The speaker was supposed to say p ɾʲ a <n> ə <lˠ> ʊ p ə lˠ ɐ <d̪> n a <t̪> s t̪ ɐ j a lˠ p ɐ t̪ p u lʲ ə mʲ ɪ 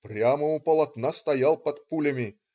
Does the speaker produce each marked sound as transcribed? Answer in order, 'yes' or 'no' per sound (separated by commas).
no, no, no, no